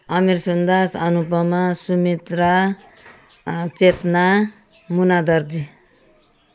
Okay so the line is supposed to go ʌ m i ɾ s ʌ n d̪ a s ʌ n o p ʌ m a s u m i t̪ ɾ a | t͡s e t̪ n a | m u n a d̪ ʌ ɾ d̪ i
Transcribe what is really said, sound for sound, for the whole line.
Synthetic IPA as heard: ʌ m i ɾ s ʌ n d̪ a s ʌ n u p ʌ m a s u m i t̪ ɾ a | t͡s e t̪ n a | m u n a d̪ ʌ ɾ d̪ i